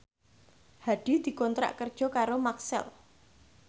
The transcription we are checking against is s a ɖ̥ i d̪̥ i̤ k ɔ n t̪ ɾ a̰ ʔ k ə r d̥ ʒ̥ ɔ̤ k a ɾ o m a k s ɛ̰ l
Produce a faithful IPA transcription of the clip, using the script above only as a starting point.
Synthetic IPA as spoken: h a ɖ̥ i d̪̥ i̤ k ɔ n t̪ ɾ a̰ ʔ k ə r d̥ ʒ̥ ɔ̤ k a ɾ o m a k s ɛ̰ l